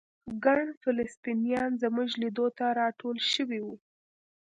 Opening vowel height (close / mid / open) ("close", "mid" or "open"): open